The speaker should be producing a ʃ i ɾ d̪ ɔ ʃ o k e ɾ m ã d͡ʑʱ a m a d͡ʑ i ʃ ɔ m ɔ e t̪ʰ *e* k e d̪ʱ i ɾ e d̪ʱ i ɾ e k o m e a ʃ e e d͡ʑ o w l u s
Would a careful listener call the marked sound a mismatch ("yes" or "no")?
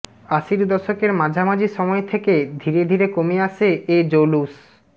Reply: no